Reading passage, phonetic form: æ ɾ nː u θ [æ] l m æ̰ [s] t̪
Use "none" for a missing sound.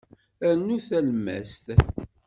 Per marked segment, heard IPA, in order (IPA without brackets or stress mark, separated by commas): æ, s